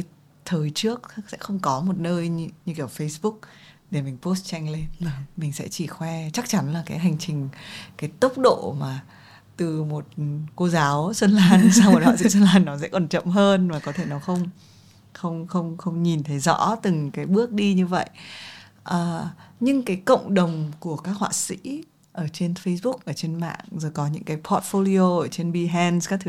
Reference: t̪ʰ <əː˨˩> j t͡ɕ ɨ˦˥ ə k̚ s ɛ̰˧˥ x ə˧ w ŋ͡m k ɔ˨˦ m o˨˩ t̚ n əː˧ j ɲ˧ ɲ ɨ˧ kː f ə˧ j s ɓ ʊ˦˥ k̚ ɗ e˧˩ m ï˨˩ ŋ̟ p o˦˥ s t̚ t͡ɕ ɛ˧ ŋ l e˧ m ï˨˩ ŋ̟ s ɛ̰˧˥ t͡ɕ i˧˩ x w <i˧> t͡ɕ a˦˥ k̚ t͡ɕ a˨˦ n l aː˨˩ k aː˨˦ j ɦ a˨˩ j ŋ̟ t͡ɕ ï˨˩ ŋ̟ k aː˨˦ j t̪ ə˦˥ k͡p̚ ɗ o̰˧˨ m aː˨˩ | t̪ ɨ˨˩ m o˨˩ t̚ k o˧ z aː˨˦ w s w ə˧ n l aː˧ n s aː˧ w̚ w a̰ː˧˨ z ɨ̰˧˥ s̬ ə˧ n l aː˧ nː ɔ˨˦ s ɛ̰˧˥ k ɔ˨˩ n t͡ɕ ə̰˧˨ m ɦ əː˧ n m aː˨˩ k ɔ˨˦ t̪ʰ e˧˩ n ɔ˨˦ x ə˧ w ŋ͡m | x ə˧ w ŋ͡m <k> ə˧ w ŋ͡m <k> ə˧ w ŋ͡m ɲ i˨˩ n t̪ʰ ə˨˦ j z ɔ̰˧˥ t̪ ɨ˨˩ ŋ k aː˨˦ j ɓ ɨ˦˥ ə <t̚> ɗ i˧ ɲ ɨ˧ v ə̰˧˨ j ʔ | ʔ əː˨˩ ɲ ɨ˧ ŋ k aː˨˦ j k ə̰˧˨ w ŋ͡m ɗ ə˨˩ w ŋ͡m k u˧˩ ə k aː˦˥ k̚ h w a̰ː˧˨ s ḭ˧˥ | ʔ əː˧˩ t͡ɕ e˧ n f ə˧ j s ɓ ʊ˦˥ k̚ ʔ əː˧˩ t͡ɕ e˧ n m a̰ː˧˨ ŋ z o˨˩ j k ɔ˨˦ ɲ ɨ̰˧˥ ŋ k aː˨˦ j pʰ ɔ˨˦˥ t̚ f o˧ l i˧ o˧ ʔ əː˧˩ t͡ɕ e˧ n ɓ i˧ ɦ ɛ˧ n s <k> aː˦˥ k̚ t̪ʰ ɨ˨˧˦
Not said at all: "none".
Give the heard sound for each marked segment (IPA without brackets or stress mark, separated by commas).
əː˨˩, ɛ˧, x, x, k̚, k